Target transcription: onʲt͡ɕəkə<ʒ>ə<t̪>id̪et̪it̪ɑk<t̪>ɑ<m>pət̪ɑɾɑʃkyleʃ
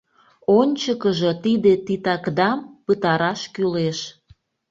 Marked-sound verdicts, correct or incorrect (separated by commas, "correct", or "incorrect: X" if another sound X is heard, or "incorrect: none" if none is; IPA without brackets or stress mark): correct, correct, incorrect: d̪, correct